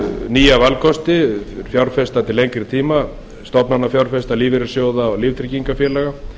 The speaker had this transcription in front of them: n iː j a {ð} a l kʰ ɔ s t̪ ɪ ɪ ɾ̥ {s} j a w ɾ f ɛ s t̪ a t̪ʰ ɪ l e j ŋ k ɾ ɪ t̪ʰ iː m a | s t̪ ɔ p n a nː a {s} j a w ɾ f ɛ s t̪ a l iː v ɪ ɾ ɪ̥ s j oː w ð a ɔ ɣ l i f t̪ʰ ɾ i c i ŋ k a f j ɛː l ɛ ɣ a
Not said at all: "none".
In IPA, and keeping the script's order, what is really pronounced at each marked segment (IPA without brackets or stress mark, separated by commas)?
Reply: v, f, f